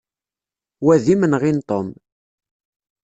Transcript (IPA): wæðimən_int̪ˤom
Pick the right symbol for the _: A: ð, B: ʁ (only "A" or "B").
B